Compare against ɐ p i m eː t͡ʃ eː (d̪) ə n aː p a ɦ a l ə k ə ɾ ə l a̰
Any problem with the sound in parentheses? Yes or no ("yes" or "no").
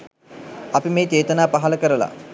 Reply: yes